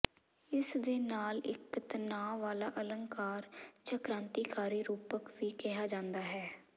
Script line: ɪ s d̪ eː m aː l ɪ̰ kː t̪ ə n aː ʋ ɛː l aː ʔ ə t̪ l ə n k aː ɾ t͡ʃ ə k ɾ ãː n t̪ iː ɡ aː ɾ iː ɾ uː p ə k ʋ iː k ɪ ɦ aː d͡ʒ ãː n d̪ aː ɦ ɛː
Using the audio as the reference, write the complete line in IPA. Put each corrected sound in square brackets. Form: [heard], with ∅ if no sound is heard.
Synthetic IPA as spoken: ɪ s d̪ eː [n] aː l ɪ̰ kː t̪ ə n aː ʋ [aː] l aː ʔ ə [∅] l ə [ŋ] k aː ɾ t͡ʃ ə k ɾ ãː n t̪ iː [k] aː ɾ iː ɾ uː p ə k ʋ iː k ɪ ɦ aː d͡ʒ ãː n d̪ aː ɦ ɛː